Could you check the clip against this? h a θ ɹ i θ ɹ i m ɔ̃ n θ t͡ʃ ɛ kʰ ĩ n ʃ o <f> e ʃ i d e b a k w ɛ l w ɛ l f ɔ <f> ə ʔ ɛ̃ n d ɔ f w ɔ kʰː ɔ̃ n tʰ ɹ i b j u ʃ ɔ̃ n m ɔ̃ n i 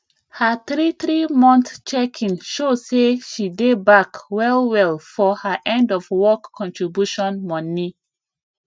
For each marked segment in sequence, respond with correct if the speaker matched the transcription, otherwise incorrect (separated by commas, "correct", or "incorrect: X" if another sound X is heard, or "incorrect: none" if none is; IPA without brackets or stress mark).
incorrect: s, incorrect: h